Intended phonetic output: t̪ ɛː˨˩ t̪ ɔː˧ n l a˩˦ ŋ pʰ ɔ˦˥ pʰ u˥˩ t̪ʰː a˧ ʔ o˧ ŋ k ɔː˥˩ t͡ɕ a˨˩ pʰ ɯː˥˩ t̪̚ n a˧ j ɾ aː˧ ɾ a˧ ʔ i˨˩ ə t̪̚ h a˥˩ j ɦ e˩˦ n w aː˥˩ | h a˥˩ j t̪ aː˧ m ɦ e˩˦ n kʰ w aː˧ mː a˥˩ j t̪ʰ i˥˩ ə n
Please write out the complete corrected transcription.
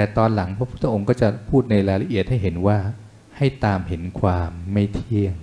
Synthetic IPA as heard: t̪ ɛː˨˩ t̪ ɔː˧ n l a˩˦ ŋ pʰ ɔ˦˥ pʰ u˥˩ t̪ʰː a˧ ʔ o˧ ŋ k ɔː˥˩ t͡ɕ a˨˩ pʰ uː˥˩ t̪̚ n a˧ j ɾ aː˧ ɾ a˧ ʔ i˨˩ ə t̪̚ h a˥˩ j ɦ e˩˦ n w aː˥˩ | h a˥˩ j t̪ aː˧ m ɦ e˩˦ n kʰ w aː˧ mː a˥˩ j t̪ʰ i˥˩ ə ŋ